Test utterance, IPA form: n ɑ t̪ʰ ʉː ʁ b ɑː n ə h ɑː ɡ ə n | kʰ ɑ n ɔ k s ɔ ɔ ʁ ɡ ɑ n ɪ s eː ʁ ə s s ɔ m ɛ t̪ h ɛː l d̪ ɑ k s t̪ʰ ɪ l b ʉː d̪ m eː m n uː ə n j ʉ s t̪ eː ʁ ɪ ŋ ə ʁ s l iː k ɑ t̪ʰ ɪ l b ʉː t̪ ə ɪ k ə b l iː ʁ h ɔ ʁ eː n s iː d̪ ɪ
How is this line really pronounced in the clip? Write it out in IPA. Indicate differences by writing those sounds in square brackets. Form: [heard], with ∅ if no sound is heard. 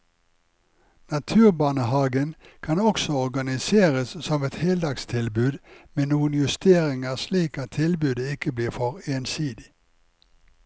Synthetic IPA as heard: n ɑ t̪ʰ ʉː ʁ b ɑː n ə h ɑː ɡ ə n | kʰ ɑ n ɔ k s ɔ ɔ ʁ ɡ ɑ n ɪ s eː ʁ ə s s ɔ m ɛ t̪ h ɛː l d̪ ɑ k s t̪ʰ ɪ l b ʉː d̪ m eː [∅] n uː ə n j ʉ s t̪ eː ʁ ɪ ŋ ə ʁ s l iː k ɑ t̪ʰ ɪ l b ʉː [d̪] ə ɪ k ə b l iː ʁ [f] ɔ ʁ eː n s iː d̪ ɪ

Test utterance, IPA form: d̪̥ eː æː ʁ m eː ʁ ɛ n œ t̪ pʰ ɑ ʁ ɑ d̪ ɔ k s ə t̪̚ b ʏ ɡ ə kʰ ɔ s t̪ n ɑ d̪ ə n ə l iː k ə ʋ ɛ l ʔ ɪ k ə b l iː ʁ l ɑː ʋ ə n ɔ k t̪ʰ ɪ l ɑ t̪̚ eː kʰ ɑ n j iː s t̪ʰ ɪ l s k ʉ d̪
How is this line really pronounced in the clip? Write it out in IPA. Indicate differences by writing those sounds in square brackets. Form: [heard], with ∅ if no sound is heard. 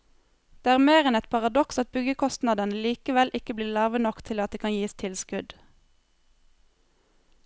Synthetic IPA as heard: d̪̥ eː æː ʁ m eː ʁ ɛ n [ɛ] t̪ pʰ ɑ ʁ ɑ d̪ ɔ k s [ɑ] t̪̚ b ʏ ɡ ə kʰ ɔ s t̪ n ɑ d̪ ə n ə l iː k ə ʋ ɛ l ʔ ɪ k ə b l iː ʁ l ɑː ʋ ə n ɔ k t̪ʰ ɪ l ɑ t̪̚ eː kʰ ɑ n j iː s t̪ʰ ɪ l s k ʉ d̪

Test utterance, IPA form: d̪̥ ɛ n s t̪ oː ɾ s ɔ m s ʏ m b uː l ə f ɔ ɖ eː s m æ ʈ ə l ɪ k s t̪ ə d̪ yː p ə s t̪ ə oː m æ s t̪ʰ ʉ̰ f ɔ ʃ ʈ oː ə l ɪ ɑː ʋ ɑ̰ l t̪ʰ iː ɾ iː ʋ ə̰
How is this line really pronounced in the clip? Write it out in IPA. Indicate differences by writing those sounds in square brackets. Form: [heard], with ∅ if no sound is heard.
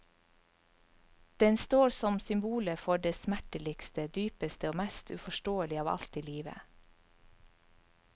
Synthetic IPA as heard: d̪̥ ɛ n s t̪ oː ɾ s ɔ m s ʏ m b uː l ə f ɔ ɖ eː s m æ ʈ ə l ɪ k s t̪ ə d̪ yː p ə s t̪ ə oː m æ s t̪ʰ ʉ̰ f ɔ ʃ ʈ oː ə l ɪ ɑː ʋ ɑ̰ l [t̪] iː [l] iː ʋ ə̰

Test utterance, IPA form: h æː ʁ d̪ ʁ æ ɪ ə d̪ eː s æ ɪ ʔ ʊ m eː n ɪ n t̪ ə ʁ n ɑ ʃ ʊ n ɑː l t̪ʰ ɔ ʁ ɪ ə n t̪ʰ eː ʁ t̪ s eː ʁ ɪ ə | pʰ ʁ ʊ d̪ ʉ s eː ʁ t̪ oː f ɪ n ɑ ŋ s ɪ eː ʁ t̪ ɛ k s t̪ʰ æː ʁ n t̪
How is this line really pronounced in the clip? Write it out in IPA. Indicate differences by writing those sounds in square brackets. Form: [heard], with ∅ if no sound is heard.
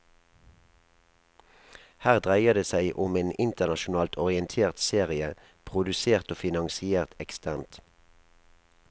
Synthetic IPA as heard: h æː ʁ d̪ ʁ æ ɪ ə d̪ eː s æ ɪ ʔ ʊ m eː n ɪ n t̪ ə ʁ n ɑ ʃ ʊ n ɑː l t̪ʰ ɔ ʁ ɪ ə n t̪ʰ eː ʁ t̪ s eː ʁ ɪ ə | pʰ ʁ ʊ d̪ ʉ s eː ʁ t̪ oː f ɪ n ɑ ŋ s ɪ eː ʁ t̪ ɛ k s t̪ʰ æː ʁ n t̪

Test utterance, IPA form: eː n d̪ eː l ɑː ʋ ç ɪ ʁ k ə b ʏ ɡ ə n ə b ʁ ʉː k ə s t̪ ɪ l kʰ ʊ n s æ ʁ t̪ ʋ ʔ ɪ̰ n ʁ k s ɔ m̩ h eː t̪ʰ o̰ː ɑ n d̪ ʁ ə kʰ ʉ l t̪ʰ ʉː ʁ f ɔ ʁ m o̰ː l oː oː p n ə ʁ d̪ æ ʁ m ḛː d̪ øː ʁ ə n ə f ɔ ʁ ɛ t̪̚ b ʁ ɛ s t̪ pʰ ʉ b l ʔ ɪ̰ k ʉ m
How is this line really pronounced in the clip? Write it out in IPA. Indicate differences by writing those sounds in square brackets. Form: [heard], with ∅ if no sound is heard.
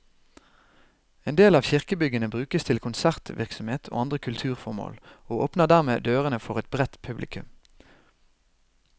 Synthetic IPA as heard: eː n d̪ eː l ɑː ʋ ç ɪ ʁ k ə b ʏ ɡ ə n ə b ʁ ʉː k ə s [t̪ʰ] ɪ l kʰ ʊ n s æ ʁ t̪ ʋ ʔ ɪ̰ [∅] ʁ k s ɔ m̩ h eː t̪ʰ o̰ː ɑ n d̪ ʁ ə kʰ ʉ l t̪ʰ ʉː ʁ f ɔ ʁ m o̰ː l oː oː p n ə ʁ d̪ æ ʁ m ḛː d̪ øː ʁ ə n ə f ɔ ʁ ɛ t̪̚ b ʁ ɛ [∅] t̪ pʰ ʉ b l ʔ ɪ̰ k ʉ m

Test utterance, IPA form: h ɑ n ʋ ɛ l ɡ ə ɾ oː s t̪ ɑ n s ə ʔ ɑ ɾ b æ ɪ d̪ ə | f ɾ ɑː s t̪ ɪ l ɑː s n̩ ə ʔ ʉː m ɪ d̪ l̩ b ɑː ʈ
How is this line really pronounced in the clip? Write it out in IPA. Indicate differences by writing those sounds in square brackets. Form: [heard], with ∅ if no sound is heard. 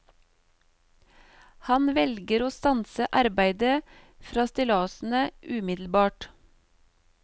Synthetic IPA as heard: h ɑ n ʋ ɛ l ɡ ə ɾ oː s t̪ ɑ n s ə ʔ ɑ ɾ b æ ɪ d̪ ə | f ɾ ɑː s t̪ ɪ l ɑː s n̩ ə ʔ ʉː m ɪ d̪ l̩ b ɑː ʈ

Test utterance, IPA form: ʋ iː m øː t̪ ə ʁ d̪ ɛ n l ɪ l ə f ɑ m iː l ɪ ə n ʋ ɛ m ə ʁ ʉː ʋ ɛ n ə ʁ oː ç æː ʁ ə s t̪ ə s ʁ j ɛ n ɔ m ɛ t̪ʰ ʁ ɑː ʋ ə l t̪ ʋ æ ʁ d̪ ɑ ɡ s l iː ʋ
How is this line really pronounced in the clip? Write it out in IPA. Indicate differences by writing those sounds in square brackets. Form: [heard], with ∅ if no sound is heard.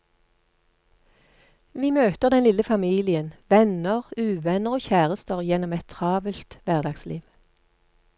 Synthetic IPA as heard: ʋ iː m øː t̪ ə ʁ d̪ ɛ n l ɪ l ə f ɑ m iː l ɪ ə n ʋ ɛ [n] ə ʁ ʉː ʋ ɛ n ə ʁ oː ç æː ʁ ə s t̪ ə [∅] ʁ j ɛ n ɔ m ɛ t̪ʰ ʁ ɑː ʋ ə l t̪ ʋ æ ʁ d̪ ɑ ɡ s l iː ʋ

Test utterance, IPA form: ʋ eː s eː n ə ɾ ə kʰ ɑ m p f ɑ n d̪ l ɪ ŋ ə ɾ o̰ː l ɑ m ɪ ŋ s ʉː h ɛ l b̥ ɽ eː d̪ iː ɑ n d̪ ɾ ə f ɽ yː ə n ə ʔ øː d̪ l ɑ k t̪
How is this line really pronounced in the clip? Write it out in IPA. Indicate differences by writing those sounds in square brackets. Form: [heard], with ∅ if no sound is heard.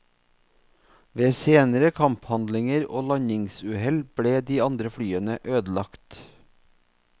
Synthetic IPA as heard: ʋ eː s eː n ə ɾ ə kʰ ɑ m p [h] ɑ n d̪ l ɪ ŋ ə ɾ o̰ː l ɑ [ɲ] ɪ ŋ s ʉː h ɛ l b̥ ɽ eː d̪ iː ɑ n d̪ ɾ ə f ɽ yː ə n ə ʔ øː d̪ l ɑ k t̪

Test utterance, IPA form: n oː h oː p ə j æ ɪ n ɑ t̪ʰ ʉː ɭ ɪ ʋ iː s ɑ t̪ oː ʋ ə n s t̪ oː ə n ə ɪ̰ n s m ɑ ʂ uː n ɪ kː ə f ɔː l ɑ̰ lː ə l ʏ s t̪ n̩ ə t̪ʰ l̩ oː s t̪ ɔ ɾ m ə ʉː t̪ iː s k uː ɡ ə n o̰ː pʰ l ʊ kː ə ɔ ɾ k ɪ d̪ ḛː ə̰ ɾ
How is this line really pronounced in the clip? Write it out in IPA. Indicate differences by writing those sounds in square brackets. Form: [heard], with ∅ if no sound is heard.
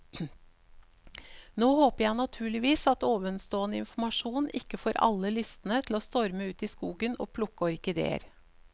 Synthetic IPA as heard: n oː h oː p ə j æ ɪ n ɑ t̪ʰ ʉː ɭ ɪ ʋ iː s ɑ t̪ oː ʋ ə n s t̪ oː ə n ə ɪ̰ n [f] m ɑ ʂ uː n ɪ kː ə f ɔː [ɾ] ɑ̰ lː ə l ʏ s t̪ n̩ ə t̪ʰ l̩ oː s t̪ ɔ ɾ m ə ʉː t̪ iː s k uː ɡ ə n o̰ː pʰ l ʊ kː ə ɔ ɾ k ɪ d̪ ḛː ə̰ ɾ

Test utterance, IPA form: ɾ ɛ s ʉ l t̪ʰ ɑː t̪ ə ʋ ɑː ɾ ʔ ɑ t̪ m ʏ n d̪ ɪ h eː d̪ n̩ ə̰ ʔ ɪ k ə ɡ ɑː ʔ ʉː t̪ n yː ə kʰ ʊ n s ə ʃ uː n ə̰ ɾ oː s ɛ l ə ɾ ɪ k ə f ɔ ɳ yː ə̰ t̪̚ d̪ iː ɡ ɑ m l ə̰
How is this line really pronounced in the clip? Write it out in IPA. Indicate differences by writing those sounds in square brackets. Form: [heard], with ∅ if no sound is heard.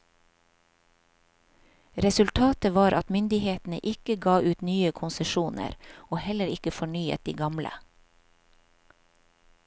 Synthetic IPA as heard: ɾ ɛ s ʉ l t̪ʰ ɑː t̪ ə ʋ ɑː ɾ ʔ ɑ t̪ m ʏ n d̪ ɪ h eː [t̪] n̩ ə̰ ʔ ɪ k ə ɡ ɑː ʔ ʉː t̪ n yː ə kʰ ʊ n s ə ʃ uː n ə̰ ɾ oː [h] ɛ l ə ɾ ɪ k ə f ɔ ɳ yː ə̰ t̪̚ d̪ iː ɡ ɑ m l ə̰

